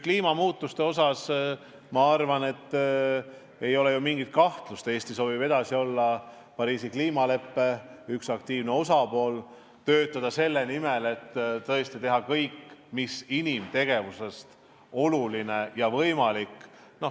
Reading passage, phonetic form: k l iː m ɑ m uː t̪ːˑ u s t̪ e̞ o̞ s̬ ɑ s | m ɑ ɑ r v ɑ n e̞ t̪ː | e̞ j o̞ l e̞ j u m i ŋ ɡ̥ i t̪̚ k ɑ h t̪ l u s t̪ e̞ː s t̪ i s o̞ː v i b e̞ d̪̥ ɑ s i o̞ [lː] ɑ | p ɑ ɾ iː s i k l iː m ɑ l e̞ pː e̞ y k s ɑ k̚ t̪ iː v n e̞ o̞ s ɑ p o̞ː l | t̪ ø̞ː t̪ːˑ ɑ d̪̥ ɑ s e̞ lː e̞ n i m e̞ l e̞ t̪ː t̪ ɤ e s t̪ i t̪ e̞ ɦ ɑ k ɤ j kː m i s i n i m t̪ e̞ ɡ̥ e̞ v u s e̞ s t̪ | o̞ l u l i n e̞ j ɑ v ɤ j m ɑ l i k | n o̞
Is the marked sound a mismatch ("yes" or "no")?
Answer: no